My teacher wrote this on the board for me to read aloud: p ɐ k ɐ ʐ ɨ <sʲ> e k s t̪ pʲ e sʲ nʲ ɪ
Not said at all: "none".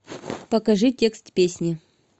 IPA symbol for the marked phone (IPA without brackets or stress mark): tʲ